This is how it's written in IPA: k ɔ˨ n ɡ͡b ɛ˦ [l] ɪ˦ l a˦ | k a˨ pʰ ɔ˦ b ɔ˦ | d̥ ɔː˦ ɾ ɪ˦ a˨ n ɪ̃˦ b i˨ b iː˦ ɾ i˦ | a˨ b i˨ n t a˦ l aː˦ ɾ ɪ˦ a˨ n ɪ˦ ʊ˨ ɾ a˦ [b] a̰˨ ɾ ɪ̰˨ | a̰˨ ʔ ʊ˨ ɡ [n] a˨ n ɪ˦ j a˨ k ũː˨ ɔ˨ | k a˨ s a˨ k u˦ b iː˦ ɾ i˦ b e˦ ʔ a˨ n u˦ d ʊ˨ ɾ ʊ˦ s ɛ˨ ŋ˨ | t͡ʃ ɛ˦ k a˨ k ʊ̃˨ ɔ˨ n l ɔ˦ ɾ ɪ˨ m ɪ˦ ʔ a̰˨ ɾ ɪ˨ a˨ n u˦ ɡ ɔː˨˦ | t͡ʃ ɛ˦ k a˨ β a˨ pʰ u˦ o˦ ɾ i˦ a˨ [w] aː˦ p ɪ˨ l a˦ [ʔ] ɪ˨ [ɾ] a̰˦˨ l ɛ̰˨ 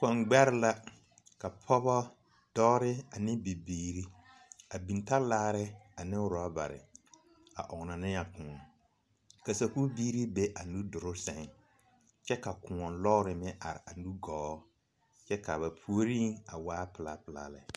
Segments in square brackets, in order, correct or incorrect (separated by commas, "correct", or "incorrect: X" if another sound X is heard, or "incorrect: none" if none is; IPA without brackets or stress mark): incorrect: ɾ, correct, correct, correct, incorrect: p, incorrect: l